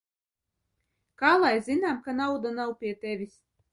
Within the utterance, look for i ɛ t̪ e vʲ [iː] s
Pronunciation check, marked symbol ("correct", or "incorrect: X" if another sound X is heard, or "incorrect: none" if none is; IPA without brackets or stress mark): incorrect: i